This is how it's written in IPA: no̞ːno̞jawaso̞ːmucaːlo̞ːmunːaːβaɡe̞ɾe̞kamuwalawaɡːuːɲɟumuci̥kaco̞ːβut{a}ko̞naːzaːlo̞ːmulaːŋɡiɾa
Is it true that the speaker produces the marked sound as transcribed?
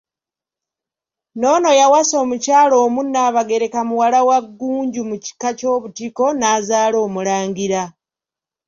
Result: no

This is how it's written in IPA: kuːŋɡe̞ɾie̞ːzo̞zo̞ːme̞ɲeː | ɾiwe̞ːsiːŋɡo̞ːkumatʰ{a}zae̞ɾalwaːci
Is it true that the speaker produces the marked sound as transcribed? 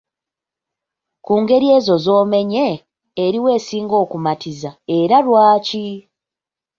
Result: no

